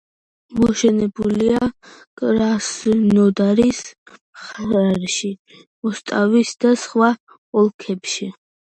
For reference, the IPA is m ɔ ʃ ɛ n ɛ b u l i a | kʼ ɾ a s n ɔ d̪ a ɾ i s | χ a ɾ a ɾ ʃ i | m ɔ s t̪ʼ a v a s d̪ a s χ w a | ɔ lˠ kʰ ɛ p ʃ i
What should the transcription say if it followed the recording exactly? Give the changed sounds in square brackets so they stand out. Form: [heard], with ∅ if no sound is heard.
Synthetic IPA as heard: m ɔ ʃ ɛ n ɛ b u l i a | kʼ ɾ a s n ɔ d̪ a ɾ i s | χ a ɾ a ɾ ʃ i | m ɔ s t̪ʼ a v [i] s d̪ a s χ w a | ɔ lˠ kʰ ɛ p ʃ i